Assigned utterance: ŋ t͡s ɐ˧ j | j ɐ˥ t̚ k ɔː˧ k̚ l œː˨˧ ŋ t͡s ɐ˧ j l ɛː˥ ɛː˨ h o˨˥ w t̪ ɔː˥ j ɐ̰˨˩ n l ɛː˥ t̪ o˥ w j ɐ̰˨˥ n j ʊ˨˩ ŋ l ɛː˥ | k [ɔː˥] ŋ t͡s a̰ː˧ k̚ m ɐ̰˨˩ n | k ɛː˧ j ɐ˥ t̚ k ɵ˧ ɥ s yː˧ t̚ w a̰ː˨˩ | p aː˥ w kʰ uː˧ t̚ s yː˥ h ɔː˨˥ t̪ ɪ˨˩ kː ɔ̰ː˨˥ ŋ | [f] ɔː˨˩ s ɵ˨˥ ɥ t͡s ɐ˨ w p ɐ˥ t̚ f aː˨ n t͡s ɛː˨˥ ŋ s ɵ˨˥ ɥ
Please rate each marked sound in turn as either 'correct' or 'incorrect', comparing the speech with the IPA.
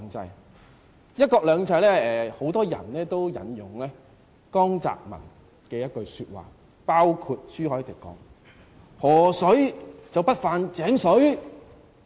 correct, incorrect: h

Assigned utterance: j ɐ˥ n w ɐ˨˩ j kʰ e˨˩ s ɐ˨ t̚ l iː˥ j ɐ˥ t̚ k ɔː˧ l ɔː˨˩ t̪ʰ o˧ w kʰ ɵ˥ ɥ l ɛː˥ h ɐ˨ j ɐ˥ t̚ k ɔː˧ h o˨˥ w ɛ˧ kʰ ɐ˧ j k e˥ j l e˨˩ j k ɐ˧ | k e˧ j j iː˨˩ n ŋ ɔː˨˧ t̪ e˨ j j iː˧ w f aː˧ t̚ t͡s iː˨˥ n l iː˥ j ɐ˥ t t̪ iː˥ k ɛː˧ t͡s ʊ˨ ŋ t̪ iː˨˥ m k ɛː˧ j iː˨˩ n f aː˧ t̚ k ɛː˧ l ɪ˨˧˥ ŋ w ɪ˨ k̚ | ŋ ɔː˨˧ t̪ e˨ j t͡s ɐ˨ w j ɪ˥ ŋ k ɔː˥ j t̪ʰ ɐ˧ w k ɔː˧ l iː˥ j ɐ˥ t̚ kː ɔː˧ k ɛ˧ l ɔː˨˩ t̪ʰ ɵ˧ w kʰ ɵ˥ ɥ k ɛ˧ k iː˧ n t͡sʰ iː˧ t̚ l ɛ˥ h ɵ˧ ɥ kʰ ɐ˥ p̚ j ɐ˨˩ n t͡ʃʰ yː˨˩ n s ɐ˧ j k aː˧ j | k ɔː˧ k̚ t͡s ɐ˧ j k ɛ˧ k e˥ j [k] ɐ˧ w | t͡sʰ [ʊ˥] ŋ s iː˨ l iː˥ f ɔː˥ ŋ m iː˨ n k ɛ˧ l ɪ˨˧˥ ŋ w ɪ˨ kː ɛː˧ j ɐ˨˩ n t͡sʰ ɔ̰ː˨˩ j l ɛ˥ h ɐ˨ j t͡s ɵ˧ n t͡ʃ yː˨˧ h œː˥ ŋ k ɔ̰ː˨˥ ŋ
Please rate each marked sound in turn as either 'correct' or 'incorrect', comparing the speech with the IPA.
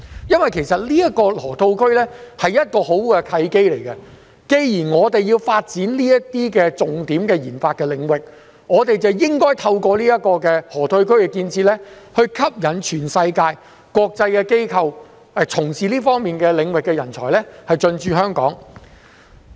incorrect: kʰ, incorrect: ʊ˨˩

